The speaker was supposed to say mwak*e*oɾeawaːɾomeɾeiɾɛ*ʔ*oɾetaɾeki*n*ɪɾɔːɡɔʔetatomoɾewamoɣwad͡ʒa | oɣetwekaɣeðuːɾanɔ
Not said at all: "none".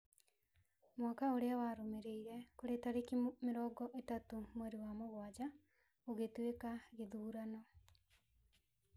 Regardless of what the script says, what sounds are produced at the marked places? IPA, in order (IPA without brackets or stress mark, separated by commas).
a, k, m